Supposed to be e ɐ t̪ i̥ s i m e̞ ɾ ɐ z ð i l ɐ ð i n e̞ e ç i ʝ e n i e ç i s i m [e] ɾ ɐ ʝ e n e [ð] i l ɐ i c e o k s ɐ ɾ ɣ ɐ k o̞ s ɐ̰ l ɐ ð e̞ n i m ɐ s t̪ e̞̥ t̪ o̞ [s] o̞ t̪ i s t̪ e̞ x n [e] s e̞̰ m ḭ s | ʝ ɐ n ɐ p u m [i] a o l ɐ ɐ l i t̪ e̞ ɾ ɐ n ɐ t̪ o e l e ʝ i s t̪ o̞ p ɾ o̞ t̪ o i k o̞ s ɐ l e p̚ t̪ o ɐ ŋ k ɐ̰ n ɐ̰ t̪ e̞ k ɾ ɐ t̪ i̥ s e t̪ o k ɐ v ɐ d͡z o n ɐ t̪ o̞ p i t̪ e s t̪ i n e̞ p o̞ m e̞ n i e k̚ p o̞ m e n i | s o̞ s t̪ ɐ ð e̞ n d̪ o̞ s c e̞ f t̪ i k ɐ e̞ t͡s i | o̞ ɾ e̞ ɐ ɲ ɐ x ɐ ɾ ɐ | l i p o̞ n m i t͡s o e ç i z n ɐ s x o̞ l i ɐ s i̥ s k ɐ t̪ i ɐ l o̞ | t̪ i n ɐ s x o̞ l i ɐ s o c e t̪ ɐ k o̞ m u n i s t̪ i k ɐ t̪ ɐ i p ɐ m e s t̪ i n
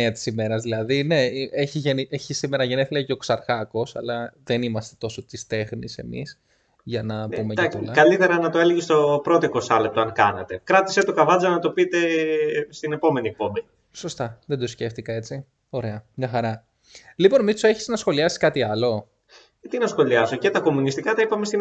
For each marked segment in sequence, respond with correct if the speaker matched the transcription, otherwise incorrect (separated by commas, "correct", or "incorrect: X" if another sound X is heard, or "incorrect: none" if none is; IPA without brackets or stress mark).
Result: correct, incorrect: θ, correct, incorrect: i, incorrect: e